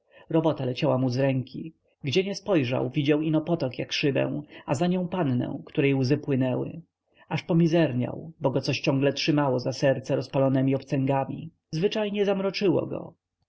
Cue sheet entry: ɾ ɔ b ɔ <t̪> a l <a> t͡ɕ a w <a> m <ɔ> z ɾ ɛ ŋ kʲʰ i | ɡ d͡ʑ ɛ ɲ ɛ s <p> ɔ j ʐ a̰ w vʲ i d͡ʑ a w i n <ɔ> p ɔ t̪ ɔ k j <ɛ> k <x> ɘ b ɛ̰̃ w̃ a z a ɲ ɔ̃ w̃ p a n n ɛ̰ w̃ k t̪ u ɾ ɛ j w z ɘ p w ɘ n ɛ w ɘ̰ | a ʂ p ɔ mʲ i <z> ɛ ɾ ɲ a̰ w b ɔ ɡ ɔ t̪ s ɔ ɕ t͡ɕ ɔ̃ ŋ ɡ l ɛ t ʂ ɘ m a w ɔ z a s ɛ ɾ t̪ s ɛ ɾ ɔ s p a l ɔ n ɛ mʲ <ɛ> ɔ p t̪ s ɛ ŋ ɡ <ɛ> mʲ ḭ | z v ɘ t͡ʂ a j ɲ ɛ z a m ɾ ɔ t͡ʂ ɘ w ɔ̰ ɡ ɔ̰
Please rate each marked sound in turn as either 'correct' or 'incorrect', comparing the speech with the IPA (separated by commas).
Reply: correct, incorrect, correct, incorrect, correct, correct, incorrect, incorrect, correct, incorrect, incorrect